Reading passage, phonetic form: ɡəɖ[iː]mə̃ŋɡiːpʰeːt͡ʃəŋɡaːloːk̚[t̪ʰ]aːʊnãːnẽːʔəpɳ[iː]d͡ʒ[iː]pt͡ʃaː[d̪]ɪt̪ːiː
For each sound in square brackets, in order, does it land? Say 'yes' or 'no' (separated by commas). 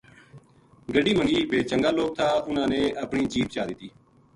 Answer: yes, yes, yes, yes, yes